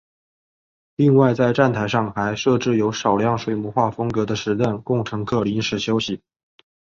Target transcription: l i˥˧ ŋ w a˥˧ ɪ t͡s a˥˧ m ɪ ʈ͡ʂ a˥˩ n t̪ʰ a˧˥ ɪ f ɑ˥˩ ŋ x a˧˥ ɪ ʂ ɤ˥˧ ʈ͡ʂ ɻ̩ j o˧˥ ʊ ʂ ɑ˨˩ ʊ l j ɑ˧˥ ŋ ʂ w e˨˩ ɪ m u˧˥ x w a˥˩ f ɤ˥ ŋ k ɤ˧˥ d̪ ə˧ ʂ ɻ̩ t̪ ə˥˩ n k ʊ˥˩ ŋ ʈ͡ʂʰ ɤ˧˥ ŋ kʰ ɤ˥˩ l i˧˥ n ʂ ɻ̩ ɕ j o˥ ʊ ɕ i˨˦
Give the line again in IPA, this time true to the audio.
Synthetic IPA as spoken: l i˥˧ ŋ w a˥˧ ɪ t͡s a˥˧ ɪ ʈ͡ʂ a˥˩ n t̪ʰ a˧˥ ɪ ʂ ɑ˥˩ ŋ x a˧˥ ɪ ʂ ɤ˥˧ ʈ͡ʂ ɻ̩ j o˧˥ ʊ ʂ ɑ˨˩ ʊ l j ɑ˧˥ ŋ ʂ w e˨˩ ɪ m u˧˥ x w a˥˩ f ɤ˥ ŋ k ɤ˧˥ d̪ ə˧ ʂ ɻ̩ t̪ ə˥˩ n k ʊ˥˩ ŋ ʈ͡ʂʰ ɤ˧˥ ŋ kʰ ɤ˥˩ l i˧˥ n ʂ ɻ̩ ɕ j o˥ ʊ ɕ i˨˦

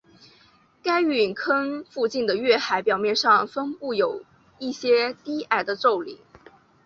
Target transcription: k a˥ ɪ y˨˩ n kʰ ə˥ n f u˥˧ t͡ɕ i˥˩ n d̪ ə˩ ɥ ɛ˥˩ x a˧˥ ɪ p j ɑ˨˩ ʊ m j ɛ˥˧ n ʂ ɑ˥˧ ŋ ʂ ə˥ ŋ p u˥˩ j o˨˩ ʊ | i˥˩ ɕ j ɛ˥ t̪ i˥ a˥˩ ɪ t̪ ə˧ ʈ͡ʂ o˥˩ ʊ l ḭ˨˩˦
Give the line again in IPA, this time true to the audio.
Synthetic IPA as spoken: k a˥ ɪ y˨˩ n kʰ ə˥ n f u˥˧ t͡ɕ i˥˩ n d̪ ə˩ ɥ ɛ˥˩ x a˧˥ ɪ p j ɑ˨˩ ʊ m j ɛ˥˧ n ʂ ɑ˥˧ ŋ f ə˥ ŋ p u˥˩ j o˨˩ ʊ | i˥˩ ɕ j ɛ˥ t̪ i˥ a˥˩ ɪ d̪ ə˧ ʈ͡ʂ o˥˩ ʊ l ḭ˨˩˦

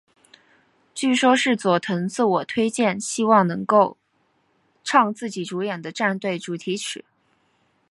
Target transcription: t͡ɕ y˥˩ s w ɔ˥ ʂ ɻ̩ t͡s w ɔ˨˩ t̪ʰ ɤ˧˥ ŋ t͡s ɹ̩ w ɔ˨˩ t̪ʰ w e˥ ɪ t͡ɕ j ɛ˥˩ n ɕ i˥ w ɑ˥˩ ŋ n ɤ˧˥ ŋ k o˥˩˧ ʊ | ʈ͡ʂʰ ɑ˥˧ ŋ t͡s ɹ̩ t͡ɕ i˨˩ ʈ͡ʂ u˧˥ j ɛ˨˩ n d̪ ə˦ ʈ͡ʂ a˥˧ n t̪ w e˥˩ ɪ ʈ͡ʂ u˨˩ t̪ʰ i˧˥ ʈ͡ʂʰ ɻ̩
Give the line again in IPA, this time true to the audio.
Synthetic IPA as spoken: t͡ɕ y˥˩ ʂ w ɔ˥ ʂ ɻ̩ t͡s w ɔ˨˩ t̪ʰ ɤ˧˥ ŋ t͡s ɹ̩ w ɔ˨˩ t̪ʰ w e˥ ɪ t͡ɕ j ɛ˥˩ n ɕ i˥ w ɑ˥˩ ŋ n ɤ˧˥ ŋ k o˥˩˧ ʊ | ʈ͡ʂʰ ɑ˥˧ ŋ t͡s ɹ̩ t͡ɕ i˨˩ ʈ͡ʂ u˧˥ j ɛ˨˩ n d̪ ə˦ ʈ͡ʂ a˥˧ n t̪ w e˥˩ ɪ ʈ͡ʂ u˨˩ t̪ʰ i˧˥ ʈ͡ʂʰ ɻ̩

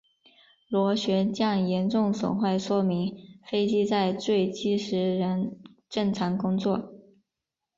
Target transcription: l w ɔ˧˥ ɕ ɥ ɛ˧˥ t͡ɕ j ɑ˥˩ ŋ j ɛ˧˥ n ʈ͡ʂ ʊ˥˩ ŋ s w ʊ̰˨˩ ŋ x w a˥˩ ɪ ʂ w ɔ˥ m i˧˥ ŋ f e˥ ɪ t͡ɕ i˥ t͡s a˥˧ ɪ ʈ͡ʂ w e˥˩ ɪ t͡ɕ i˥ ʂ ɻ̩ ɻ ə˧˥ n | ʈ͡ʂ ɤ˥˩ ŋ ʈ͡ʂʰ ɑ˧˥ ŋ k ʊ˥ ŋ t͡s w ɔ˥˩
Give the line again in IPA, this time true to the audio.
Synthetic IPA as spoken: l w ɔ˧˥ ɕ ɥ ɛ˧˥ t͡ɕ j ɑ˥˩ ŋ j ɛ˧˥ n ʈ͡ʂ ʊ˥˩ ŋ s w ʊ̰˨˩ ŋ x w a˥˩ ɪ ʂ w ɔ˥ m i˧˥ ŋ f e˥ ɪ t͡ɕ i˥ t͡s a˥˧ ɪ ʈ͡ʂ w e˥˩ ɪ t͡ɕ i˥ ʂ ɻ̩ ɻ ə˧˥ n | ʈ͡ʂ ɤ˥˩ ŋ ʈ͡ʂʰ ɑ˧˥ ŋ k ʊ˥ ŋ t͡s w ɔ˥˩

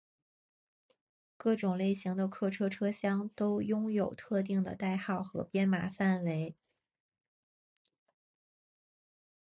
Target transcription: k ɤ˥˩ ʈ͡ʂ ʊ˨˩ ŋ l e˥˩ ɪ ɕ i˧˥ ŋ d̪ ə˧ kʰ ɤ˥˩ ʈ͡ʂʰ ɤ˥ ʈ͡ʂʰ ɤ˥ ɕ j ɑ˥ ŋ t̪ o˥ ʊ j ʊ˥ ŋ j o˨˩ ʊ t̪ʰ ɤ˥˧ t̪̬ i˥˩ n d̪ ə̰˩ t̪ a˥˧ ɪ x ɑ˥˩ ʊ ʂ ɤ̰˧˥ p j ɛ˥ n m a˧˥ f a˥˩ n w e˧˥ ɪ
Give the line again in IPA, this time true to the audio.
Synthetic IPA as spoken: k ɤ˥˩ ʈ͡ʂ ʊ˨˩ ŋ l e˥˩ ɪ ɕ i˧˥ ŋ d̪ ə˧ kʰ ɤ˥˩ ʈ͡ʂʰ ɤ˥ ʈ͡ʂʰ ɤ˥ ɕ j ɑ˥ ŋ t̪ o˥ ʊ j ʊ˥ ŋ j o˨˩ ʊ t̪ʰ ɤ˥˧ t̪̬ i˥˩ ŋ d̪ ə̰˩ t̪ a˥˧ ɪ x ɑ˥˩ ʊ x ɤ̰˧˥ p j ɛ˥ n m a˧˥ f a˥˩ n w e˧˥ ɪ

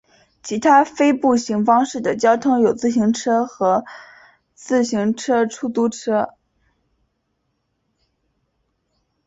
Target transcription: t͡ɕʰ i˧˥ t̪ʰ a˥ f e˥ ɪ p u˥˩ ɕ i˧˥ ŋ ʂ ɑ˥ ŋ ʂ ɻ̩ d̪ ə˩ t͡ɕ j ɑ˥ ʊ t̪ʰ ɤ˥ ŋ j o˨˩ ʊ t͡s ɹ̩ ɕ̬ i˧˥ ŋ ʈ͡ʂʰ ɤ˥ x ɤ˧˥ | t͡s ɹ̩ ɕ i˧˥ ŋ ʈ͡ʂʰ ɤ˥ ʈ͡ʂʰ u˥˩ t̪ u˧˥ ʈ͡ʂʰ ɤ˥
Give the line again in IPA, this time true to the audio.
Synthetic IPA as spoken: t͡ɕʰ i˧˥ t̪ʰ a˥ f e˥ ɪ p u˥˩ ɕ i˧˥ ŋ f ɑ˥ ŋ ʂ ɻ̩ d̪ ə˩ t͡ɕ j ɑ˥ ʊ t̪ʰ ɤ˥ ŋ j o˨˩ ʊ t͡s ɹ̩ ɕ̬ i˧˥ ŋ ʈ͡ʂʰ ɤ˥ x ɤ˧˥ | t͡s ɹ̩ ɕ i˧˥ ŋ ʈ͡ʂʰ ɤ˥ ʈ͡ʂʰ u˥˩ t̪ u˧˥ ʈ͡ʂʰ ɤ˥

